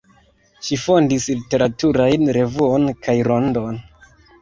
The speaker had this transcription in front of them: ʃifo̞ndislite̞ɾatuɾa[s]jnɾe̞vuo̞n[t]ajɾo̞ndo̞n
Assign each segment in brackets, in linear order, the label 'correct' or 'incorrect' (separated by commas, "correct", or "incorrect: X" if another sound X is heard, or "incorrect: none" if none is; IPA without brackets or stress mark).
incorrect: none, incorrect: k